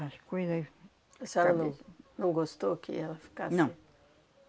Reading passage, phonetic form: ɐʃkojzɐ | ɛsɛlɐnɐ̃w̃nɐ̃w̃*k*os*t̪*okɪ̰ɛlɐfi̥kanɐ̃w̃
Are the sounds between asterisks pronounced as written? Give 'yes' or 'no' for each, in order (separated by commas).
no, yes